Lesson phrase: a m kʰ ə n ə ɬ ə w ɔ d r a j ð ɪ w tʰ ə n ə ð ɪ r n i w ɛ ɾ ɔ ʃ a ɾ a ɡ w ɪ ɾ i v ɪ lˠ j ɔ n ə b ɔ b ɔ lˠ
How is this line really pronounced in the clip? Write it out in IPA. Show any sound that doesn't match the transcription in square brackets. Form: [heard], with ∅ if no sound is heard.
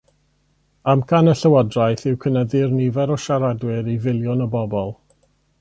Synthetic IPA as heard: a m kʰ [a] n ə ɬ ə w ɔ d r a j [θ] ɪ w [kʰ] ə n ə ð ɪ r n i [v] ɛ ɾ ɔ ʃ a ɾ a [d] w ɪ ɾ i v ɪ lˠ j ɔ n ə b ɔ b ɔ lˠ